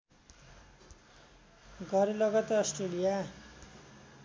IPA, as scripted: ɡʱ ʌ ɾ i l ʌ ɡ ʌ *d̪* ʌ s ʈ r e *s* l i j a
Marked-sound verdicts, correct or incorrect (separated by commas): incorrect, incorrect